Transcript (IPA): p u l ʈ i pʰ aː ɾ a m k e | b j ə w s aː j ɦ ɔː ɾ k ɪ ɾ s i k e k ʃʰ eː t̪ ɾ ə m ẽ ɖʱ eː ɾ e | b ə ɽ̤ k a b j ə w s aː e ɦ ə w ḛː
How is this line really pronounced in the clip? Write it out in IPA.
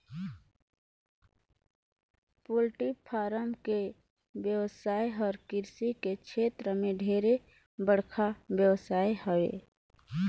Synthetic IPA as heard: p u l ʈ i pʰ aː ɾ ə m k e | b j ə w s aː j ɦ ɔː ɾ k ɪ ɾ s i k e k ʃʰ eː t̪ ɾ ə m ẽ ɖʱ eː ɾ e | b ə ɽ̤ kʰ a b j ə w s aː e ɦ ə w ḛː